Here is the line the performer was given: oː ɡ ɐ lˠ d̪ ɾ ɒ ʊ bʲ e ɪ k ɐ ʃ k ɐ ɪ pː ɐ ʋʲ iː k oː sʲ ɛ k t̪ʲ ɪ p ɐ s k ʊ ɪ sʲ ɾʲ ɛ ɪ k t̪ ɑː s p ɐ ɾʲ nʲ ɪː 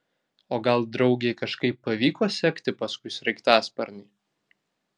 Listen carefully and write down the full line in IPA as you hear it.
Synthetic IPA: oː ɡ ɐ lˠ d̪ ɾ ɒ ʊ ɡʲ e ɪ k ɐ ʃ k ɐ ɪ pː ɐ ʋʲ iː k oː sʲ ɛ k t̪ʲ ɪ p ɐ s k ʊ ɪ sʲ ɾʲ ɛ ɪ k t̪ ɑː s p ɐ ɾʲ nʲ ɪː